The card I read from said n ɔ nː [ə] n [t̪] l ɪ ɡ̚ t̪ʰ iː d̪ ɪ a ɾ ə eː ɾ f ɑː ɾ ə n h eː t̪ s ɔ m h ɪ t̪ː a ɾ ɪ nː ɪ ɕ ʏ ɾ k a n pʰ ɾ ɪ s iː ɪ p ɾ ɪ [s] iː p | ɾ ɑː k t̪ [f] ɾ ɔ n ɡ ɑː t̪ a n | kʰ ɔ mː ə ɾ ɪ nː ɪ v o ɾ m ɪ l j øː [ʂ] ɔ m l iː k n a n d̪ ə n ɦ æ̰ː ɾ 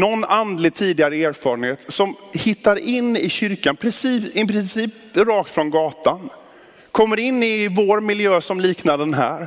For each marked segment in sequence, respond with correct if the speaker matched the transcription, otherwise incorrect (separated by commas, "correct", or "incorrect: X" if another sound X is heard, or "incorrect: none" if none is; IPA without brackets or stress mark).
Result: incorrect: a, incorrect: d̪, correct, correct, incorrect: s